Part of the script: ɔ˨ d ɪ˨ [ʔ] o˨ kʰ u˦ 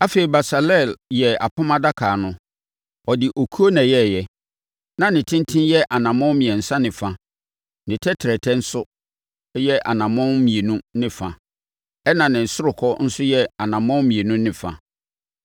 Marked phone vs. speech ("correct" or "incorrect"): correct